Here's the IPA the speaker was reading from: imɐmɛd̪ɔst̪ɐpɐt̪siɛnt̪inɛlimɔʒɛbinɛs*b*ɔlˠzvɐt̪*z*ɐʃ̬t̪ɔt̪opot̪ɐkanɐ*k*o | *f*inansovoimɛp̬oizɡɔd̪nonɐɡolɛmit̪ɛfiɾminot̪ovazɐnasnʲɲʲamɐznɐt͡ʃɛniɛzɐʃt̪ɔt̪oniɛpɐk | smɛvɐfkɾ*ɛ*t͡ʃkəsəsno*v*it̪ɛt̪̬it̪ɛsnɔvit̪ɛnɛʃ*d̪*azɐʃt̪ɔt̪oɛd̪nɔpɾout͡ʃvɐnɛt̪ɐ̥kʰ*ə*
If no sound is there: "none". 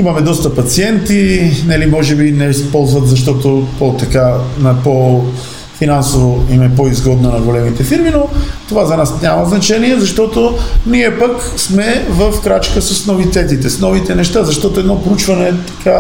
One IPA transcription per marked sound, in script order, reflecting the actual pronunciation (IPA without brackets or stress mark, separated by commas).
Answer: p, z, p, f, a, v, t̪, a